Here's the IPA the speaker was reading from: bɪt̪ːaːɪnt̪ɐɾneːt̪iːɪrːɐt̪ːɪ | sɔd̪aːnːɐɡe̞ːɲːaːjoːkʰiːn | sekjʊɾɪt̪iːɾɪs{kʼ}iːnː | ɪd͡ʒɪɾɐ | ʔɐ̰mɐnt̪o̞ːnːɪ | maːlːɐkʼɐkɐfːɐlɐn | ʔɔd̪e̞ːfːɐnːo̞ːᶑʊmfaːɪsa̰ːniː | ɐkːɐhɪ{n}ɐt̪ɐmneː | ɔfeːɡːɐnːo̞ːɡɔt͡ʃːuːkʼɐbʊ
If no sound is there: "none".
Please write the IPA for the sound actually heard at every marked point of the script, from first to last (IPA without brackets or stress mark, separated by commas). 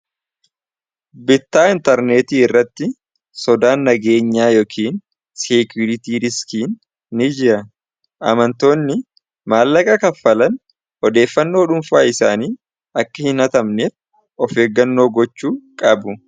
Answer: k, n